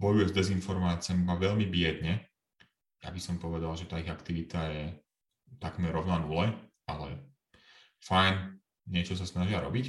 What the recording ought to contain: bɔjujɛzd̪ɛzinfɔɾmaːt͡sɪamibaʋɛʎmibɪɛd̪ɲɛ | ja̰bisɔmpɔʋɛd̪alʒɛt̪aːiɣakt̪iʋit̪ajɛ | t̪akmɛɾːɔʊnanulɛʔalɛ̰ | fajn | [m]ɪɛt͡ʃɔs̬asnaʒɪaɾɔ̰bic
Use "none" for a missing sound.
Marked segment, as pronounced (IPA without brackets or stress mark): ɲ